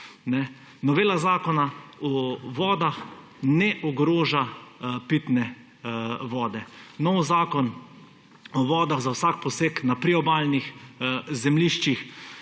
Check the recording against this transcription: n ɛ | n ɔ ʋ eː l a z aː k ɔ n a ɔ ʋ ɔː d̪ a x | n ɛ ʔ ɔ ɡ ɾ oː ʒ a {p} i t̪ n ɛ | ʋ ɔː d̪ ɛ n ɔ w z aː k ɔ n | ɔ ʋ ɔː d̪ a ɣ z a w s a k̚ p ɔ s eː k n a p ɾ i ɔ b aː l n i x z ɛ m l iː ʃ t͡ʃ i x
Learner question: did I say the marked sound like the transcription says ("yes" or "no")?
yes